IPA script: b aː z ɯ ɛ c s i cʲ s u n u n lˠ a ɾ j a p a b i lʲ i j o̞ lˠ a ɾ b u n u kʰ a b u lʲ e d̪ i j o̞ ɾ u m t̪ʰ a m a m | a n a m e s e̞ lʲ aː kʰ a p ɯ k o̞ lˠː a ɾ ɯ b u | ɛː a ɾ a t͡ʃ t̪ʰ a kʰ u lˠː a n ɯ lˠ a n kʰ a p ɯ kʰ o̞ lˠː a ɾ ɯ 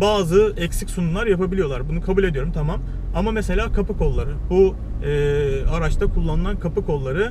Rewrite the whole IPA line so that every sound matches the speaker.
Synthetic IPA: b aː z ɯ ɛ c s i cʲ s u n u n lˠ a ɾ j a p a b i lʲ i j o̞ lˠ a ɾ b u n u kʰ a b u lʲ e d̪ i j o̞ ɾ u m t̪ʰ a m a m | a m a m e s e̞ lʲ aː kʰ a p ɯ k o̞ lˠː a ɾ ɯ b u | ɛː a ɾ a t͡ʃ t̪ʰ a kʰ u lˠː a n ɯ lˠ a n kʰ a p ɯ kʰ o̞ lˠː a ɾ ɯ